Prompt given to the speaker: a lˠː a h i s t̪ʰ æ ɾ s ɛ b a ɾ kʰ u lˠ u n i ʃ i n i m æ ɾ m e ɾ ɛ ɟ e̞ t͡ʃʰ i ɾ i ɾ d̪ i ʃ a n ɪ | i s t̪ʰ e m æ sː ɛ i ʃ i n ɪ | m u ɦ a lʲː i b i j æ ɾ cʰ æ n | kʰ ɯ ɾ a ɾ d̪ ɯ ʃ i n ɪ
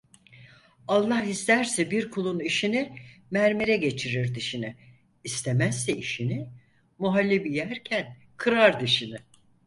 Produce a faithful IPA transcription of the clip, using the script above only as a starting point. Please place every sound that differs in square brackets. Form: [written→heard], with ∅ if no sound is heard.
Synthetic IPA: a lˠː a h i s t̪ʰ æ ɾ s ɛ b [a→i] ɾ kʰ u lˠ u n i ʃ i n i m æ ɾ m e ɾ ɛ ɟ e̞ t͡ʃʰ i ɾ i ɾ d̪ i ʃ [a→i] n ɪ | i s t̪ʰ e m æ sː ɛ i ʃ i n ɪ | m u ɦ a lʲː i b i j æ ɾ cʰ æ n | kʰ ɯ ɾ a ɾ d̪ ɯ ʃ i n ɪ